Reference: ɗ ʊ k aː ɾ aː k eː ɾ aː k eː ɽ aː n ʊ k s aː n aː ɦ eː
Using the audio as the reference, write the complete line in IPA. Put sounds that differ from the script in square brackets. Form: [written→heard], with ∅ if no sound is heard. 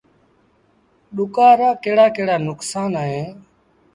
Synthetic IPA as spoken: ɗ ʊ k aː ɾ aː k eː [ɾ→ɽ] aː k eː ɽ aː n ʊ k s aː n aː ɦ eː